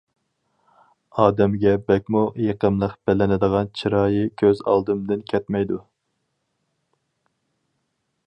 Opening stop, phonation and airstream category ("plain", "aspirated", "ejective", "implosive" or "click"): plain